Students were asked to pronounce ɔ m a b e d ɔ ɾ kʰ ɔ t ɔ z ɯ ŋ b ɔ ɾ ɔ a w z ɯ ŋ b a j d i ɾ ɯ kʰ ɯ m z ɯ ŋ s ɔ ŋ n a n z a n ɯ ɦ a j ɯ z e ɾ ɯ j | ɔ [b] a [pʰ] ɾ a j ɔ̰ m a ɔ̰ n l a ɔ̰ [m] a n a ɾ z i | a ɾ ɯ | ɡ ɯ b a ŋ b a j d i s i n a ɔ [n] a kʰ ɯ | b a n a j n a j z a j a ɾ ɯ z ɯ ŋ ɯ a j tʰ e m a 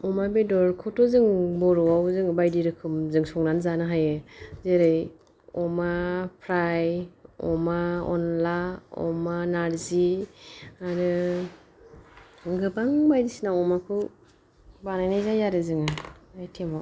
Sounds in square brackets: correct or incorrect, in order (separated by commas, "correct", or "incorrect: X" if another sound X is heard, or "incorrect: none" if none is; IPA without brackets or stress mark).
incorrect: m, correct, correct, incorrect: m